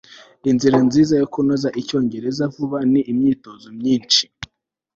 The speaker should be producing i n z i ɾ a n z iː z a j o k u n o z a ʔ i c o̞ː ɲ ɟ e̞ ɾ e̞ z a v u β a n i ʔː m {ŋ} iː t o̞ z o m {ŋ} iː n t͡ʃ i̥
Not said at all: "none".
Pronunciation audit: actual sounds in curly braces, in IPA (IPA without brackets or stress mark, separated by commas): ɲ, ɲ